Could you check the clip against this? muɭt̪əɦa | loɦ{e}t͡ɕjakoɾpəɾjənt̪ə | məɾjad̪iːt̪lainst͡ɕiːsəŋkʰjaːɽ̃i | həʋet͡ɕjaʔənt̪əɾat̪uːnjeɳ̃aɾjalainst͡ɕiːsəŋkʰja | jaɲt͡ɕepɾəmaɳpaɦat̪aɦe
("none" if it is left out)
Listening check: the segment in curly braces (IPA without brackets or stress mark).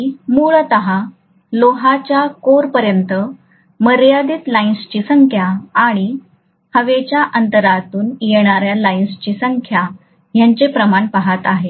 a